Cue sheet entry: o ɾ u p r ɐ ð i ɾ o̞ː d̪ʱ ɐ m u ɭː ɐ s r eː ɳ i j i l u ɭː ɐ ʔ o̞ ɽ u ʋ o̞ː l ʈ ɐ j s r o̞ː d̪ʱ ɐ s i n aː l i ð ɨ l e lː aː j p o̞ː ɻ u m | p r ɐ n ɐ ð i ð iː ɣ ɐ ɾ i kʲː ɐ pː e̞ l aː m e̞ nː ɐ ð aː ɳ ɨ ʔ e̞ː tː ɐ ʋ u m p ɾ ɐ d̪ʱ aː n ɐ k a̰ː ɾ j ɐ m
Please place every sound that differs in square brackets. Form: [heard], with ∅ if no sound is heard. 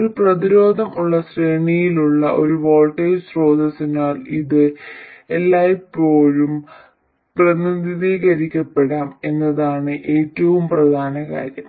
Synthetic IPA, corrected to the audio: o ɾ u p r ɐ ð i ɾ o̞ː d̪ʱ ɐ m u ɭː ɐ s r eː ɳ i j i l u ɭː ɐ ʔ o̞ [ɾ] u ʋ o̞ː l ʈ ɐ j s r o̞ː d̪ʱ ɐ s i n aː l i ð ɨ [∅] e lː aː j p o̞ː ɻ u m | p r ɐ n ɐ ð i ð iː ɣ ɐ ɾ i kʲː ɐ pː e̞ [ɽ] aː m e̞ nː ɐ ð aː ɳ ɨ ʔ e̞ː tː ɐ ʋ u m p [r] ɐ d̪ʱ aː n ɐ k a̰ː ɾ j ɐ m

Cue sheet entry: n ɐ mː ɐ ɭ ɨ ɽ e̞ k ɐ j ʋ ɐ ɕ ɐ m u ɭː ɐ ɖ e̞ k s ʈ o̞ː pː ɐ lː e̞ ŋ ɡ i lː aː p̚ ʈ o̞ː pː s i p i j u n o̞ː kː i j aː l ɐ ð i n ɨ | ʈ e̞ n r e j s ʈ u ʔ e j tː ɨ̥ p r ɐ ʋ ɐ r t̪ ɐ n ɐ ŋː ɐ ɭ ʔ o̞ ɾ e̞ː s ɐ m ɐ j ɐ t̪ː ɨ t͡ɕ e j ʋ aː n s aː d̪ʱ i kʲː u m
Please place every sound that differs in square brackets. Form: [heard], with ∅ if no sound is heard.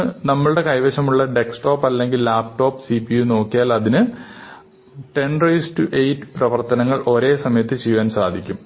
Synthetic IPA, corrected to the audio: n ɐ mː ɐ ɭ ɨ ɽ e̞ k ɐ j ʋ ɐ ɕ ɐ m u ɭː ɐ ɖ e̞ k s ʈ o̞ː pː ɐ lː e̞ ŋ ɡ i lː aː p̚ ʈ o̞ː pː s i p i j u n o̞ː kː i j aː l ɐ ð i n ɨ | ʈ e̞ n r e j s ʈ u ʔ e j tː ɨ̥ p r ɐ ʋ ɐ r t̪ ɐ n ɐ ŋː ɐ ɭ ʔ o̞ ɾ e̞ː s ɐ m ɐ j ɐ t̪ː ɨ t͡ɕ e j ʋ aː n s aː d̪ʱ i kʲː u m

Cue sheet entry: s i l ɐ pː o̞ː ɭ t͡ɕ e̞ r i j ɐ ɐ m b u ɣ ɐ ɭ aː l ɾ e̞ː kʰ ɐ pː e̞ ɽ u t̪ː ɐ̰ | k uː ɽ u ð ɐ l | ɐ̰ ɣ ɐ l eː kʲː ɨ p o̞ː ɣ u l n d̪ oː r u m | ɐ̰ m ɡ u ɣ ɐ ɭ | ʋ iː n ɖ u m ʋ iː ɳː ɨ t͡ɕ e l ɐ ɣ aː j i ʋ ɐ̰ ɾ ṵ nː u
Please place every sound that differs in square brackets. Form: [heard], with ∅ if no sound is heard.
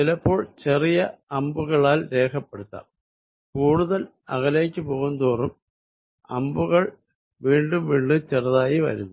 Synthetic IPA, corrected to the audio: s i l ɐ pː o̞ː ɭ t͡ɕ e̞ r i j ɐ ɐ m b u ɣ ɐ ɭ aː l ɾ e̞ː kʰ ɐ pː e̞ ɽ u t̪ː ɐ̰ | k uː ɽ u ð ɐ l | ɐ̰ ɣ ɐ l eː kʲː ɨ p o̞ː ɣ u [∅] n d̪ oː r u m | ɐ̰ m [b] u ɣ ɐ ɭ | ʋ iː [ɳ] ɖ u m ʋ iː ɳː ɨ t͡ɕ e [r] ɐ [ð] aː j i ʋ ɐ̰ ɾ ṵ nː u

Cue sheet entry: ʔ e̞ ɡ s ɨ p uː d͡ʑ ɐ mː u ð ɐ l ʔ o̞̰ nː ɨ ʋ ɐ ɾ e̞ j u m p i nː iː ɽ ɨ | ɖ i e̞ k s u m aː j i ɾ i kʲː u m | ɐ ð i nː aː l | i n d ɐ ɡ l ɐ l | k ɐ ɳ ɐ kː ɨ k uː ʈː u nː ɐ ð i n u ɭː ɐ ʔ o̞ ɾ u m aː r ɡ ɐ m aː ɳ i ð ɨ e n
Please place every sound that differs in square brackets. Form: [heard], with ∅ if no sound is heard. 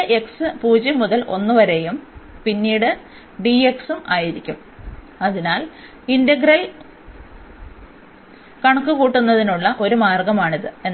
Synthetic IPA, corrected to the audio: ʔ e̞ [k] s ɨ p uː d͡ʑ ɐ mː u ð ɐ l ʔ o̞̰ nː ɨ ʋ ɐ ɾ e̞ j u m p i nː iː ɽ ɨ | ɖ i e̞ k s u m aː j i ɾ i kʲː u m | ɐ ð i [n] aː l | i n d ɐ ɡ [ɾ] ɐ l | k ɐ ɳ ɐ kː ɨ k uː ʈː u nː ɐ ð i n u ɭː ɐ ʔ o̞ ɾ u m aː r ɡ ɐ m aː ɳ i ð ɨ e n

